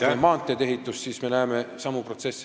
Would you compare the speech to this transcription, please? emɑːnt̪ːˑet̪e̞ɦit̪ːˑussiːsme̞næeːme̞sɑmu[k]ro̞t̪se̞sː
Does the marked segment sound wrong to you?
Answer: yes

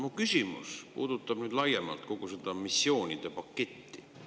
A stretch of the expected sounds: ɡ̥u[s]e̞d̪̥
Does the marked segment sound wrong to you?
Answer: no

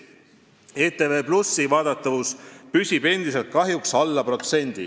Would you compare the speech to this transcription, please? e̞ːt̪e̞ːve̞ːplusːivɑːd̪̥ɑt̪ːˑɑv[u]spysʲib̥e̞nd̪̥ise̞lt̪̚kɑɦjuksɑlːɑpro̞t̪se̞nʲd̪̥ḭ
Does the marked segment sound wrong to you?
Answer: no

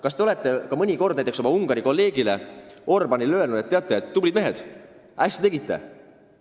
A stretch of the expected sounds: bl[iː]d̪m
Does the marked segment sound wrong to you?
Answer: yes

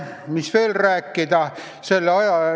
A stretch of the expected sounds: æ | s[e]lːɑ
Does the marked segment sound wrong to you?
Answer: no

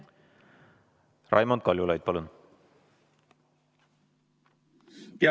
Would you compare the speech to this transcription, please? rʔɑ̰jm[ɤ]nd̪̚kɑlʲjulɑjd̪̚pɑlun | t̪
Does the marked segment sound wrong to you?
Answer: yes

